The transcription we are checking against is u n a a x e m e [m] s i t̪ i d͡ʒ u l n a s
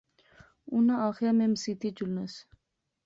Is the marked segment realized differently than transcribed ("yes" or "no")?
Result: no